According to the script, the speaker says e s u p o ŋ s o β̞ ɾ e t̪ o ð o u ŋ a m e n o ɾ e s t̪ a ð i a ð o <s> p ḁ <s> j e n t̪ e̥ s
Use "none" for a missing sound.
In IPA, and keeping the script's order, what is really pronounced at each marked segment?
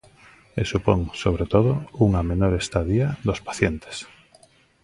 s, θ

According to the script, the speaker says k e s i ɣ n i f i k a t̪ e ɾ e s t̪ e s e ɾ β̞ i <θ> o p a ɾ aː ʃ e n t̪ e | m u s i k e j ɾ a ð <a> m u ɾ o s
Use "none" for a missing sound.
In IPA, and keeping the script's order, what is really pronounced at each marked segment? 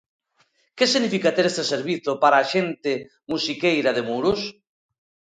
θ, e

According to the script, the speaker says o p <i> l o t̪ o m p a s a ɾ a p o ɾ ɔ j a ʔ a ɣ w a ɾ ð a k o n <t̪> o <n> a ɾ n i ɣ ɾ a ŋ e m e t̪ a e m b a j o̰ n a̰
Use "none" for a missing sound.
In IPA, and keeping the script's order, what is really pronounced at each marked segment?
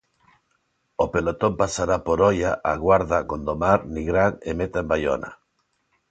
e, d̪, m

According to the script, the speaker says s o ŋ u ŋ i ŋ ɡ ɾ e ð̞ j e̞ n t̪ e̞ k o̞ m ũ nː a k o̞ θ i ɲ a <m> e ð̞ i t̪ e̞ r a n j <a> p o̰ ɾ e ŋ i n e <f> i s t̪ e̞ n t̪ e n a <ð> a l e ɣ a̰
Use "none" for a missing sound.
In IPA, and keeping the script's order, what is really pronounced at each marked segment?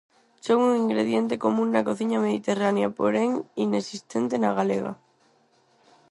m, a, s, ɣ

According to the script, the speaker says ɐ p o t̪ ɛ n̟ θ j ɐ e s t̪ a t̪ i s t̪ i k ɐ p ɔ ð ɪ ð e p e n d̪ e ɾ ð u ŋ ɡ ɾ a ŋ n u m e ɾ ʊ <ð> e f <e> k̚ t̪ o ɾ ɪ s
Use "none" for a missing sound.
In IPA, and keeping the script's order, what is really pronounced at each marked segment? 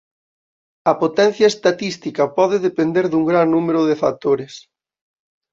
ð, a

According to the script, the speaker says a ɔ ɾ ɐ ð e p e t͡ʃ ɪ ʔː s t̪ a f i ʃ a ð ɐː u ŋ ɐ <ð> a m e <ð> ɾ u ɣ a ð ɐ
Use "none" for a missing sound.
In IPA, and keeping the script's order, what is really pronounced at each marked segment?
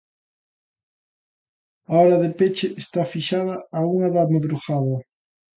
ð, ð

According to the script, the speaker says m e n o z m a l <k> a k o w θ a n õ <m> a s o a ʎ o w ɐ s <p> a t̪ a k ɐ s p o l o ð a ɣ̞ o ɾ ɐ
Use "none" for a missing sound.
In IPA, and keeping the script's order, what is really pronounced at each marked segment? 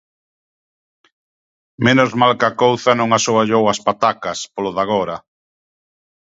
k, ŋ, p

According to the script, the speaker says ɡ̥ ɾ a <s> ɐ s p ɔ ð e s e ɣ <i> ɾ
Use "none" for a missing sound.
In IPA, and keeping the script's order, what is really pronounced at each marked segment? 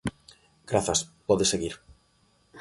θ, i

